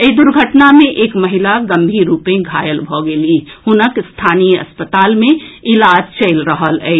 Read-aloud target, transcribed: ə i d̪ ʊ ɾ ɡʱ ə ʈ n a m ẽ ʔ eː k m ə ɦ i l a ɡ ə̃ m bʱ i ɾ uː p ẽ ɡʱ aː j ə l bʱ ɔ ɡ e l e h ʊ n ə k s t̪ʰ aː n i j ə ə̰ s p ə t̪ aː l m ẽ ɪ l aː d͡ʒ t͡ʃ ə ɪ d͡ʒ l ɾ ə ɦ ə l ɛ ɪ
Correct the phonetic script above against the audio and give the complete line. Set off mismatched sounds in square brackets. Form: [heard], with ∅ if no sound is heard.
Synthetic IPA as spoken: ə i d̪ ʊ ɾ ɡʱ ə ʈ n a m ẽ ʔ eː k m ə ɦ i l a ɡ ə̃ m bʱ i ɾ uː p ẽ ɡʱ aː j ə l bʱ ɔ ɡ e l [i] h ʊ n ə k s t̪ʰ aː n i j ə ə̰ s p ə t̪ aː l m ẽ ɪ l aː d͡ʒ t͡ʃ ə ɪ [∅] l ɾ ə ɦ ə l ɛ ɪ